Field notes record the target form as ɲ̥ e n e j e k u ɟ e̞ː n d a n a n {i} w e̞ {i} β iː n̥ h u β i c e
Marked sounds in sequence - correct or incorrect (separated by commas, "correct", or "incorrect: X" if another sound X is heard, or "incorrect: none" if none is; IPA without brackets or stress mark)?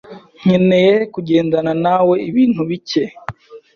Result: incorrect: a, correct